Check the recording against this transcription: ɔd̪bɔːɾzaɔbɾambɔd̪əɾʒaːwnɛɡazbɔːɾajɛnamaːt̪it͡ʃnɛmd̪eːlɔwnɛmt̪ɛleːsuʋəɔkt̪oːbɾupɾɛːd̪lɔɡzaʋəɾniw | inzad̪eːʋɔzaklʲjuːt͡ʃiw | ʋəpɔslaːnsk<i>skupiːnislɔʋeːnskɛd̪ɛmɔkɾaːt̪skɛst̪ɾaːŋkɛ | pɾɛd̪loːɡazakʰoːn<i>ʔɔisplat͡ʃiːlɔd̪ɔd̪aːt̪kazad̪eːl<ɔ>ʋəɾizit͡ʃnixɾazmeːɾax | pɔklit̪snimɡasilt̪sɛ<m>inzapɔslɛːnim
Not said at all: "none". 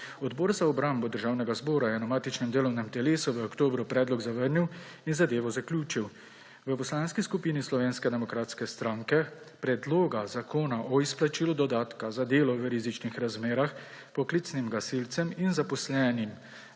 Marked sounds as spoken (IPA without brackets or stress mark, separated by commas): i, a, ɔ, m